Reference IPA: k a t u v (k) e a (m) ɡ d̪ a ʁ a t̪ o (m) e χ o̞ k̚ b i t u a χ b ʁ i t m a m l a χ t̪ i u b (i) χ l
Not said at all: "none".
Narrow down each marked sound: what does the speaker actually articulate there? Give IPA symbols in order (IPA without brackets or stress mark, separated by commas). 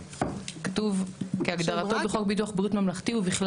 k, none, b, i